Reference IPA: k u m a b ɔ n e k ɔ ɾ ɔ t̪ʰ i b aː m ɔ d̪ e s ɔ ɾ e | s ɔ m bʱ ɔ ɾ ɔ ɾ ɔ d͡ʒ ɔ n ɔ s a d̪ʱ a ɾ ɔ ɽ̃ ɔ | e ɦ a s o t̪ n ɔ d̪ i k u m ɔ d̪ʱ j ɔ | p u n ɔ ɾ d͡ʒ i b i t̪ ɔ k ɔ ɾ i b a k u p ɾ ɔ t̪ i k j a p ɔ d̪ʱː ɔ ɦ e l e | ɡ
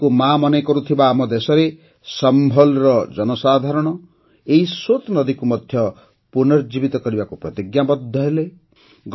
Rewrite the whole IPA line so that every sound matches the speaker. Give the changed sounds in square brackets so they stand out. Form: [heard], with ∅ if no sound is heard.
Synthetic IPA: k u m a [m] ɔ n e k ɔ ɾ [u] t̪ʰ i b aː m ɔ d̪ e s ɔ ɾ e | s ɔ m bʱ ɔ [l] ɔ ɾ ɔ d͡ʒ ɔ n ɔ s a d̪ʱ a ɾ ɔ ɽ̃ ɔ | e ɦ [i] s o t̪ n ɔ d̪ i k u m ɔ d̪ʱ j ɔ | p u n ɔ ɾ d͡ʒ i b i t̪ ɔ k ɔ ɾ i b a k u p ɾ ɔ t̪ i [ɡ] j a [b] ɔ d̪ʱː ɔ ɦ e l e | ɡ